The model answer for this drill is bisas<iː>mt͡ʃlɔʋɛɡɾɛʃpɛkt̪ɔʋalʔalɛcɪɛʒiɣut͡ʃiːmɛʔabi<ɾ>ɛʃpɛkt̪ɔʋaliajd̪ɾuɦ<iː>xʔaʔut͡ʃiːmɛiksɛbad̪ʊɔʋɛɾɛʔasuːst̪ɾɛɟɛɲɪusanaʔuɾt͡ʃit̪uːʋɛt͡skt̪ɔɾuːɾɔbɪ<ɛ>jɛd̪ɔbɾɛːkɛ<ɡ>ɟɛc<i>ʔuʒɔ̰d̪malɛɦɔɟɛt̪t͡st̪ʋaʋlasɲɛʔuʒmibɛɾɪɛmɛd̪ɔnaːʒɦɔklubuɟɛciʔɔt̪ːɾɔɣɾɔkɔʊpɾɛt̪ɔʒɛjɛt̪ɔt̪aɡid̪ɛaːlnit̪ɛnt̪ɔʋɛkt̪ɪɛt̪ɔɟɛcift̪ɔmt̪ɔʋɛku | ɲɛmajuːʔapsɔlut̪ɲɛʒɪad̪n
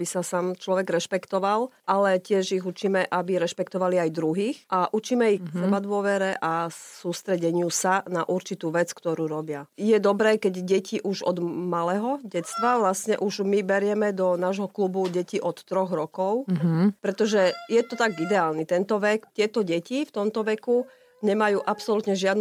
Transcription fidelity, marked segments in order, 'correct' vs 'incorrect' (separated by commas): incorrect, correct, correct, incorrect, incorrect, correct